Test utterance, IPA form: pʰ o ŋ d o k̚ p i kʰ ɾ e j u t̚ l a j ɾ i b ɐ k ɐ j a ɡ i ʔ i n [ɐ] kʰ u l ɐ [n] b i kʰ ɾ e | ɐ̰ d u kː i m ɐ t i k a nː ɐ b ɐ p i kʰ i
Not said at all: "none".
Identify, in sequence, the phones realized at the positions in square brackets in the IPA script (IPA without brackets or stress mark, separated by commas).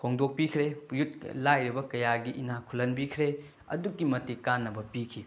a, n